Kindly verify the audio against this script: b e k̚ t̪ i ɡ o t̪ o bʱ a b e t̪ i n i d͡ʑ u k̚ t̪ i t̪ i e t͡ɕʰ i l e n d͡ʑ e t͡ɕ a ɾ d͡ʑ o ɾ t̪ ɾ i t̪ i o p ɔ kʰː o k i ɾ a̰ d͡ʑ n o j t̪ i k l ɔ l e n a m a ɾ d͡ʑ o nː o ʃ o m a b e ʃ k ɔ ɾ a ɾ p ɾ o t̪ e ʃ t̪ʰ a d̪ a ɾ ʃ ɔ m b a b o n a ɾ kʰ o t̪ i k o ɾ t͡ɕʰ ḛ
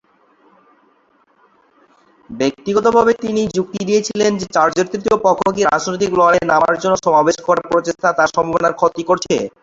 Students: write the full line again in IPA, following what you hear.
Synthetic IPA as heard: b e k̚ t̪ i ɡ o t̪ o bʱ a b e t̪ i n i d͡ʑ u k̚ t̪ i d̪ i e t͡ɕʰ i l e n d͡ʑ e t͡ɕ a ɾ d͡ʑ o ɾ t̪ ɾ i t̪ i o p ɔ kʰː o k i ɾ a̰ d͡ʑ n o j t̪ i k l ɔ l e n a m a ɾ d͡ʑ o nː o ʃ ɔ m a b e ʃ k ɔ ɾ a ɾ p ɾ o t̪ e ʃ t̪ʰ a t̪ a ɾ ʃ ɔ m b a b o n a ɾ kʰ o t̪ i k o ɾ t͡ɕʰ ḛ

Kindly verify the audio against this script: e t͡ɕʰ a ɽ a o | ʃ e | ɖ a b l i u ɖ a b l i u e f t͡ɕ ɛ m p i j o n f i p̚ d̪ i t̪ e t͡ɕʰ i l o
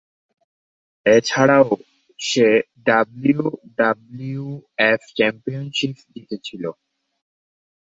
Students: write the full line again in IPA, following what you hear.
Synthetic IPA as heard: e t͡ɕʰ a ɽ a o | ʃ e | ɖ a b l i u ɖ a b l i u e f t͡ɕ ɛ m p i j o n ʃ i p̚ d̪ i t̪ e t͡ɕʰ i l o

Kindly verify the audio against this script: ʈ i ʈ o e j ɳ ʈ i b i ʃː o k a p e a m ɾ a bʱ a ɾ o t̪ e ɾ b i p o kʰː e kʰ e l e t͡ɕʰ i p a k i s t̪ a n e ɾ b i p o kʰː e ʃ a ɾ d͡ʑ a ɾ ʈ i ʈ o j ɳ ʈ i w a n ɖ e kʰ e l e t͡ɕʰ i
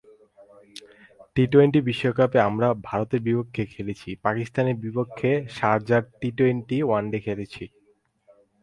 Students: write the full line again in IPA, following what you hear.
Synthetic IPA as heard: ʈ i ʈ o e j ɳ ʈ i b i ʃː o k a p e a m ɾ a bʱ a ɾ o t̪ e ɾ b i p o kʰː e kʰ e l e t͡ɕʰ i p a k i s t̪ a n e ɾ b i p o kʰː e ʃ a ɾ d͡ʑ a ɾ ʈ i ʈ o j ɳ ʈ i w a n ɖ e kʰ e l e t͡ɕʰ i

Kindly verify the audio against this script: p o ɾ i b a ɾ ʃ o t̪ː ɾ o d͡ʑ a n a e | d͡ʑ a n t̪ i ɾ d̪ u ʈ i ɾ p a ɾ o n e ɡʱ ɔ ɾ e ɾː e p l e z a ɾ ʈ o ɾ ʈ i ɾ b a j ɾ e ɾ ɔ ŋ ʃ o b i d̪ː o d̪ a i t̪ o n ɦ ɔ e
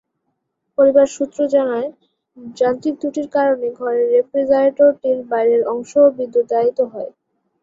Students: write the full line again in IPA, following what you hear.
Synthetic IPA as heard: p o ɾ i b a ɾ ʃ u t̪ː ɾ o d͡ʑ a n a e | d͡ʑ a n t̪ i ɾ t̪ u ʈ i ɾ k a ɾ o n e ɡʱ ɔ ɾ e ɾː e p ɾ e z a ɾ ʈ o ɾ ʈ i ɾ b a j ɾ e ɾ ɔ ŋ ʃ o b i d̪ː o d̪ a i t̪ o ɦ ɔ e

